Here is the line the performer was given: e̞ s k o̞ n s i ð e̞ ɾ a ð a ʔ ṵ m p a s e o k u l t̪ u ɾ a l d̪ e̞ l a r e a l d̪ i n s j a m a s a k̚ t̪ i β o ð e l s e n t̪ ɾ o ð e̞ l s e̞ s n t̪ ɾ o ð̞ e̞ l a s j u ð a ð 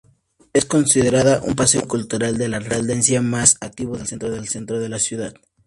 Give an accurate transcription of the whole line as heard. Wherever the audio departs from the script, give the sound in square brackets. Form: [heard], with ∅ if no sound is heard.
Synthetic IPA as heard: e̞ s k o̞ n s i ð e̞ ɾ a ð a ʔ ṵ m p a s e o k u l t̪ u ɾ a l d̪ e̞ l a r e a l d̪ [e] n s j a m a s a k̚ t̪ i β o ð e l s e n t̪ ɾ o ð e̞ l s e̞ [∅] n t̪ ɾ o ð̞ e̞ l a s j u ð a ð